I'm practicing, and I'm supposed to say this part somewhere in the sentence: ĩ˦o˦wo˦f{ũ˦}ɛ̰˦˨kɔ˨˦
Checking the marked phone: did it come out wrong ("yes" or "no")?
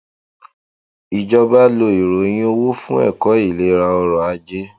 no